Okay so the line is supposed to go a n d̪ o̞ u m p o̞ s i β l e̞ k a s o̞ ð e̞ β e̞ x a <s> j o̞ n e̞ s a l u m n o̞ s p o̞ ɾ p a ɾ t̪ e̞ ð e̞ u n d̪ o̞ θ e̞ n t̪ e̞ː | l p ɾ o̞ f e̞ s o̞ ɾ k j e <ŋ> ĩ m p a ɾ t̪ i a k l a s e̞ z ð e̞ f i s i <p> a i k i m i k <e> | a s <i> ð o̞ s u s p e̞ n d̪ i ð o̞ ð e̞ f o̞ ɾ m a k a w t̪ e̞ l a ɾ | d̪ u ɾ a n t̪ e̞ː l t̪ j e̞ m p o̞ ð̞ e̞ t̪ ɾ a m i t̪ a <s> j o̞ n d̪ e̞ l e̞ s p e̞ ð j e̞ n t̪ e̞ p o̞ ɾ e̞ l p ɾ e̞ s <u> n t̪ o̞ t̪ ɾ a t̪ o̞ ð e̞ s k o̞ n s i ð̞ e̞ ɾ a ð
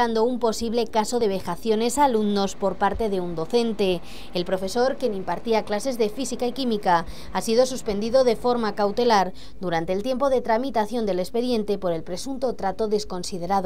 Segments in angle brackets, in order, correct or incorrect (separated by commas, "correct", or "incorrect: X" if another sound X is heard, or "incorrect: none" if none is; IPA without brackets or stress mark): incorrect: θ, incorrect: n, incorrect: k, incorrect: a, correct, incorrect: θ, correct